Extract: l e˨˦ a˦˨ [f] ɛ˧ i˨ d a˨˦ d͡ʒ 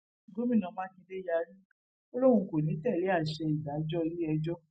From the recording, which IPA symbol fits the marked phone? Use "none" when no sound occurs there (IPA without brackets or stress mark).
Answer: ʃ